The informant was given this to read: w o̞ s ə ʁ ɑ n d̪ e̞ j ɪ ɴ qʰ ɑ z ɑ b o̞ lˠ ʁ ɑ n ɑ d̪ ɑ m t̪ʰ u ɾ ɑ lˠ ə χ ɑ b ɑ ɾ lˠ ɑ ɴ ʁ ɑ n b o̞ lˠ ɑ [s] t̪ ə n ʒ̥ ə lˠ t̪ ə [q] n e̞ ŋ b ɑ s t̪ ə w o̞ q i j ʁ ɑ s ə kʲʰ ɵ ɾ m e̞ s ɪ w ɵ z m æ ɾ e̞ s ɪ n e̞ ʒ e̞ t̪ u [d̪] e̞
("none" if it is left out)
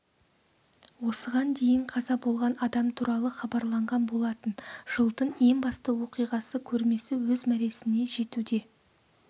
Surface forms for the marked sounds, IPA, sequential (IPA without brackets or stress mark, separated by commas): none, none, d̪